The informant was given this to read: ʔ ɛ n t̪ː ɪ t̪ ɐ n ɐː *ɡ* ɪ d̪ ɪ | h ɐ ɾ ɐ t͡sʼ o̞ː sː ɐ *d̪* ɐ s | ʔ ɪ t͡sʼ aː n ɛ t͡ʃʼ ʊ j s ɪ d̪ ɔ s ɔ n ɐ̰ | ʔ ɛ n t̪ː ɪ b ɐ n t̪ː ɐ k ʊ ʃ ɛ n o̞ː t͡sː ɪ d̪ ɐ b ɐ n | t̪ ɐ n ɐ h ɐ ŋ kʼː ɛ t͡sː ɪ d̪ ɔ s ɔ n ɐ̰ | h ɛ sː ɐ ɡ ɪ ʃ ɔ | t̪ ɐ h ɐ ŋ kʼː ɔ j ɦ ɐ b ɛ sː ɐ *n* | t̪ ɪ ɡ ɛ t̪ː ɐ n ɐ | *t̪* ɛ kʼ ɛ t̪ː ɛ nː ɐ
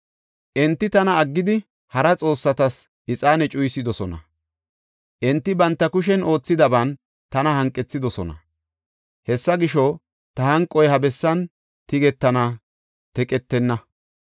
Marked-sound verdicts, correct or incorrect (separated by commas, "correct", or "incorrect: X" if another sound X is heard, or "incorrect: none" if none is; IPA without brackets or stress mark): incorrect: ɡː, incorrect: t̪, correct, correct